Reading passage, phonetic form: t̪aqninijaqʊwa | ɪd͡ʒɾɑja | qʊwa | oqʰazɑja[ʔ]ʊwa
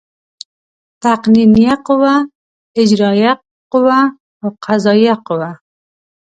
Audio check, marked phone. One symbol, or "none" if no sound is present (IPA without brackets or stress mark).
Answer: q